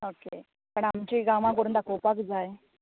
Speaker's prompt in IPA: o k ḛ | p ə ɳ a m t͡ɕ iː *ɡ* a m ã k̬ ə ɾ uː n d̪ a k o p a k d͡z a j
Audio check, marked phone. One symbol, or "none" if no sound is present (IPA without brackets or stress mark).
ɡ